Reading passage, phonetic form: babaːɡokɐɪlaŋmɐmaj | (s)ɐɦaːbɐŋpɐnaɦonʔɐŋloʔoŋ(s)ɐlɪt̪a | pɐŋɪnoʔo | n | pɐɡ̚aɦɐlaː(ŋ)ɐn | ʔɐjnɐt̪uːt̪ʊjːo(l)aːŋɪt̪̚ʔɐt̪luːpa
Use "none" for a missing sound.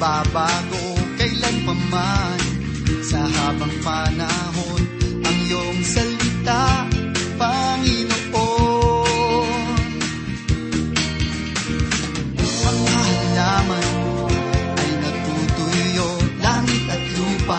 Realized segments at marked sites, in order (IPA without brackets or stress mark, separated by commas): s, s, m, l